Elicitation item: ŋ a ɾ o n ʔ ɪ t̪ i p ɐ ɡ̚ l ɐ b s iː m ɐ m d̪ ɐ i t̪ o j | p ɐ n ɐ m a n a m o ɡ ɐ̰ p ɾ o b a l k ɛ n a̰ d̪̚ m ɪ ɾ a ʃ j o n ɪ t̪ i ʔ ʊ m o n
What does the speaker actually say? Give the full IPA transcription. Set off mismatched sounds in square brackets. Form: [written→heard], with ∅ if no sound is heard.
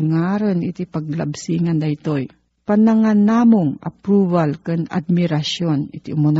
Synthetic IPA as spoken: ŋ a ɾ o n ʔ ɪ t̪ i p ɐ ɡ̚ l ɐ b s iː [m→ŋ] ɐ [m→n] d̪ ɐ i t̪ o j | p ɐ n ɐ [m→ŋ] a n a m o [ɡ→ŋ] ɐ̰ p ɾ [o→u] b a l k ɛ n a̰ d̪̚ m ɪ ɾ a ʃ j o n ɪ t̪ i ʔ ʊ m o n